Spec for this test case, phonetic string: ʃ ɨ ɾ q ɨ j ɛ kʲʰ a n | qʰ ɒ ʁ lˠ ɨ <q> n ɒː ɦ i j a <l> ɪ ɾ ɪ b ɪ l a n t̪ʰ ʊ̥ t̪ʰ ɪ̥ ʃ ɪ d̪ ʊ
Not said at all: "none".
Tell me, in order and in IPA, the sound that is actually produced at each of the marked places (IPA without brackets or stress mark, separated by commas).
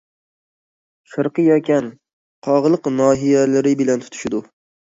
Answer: q, l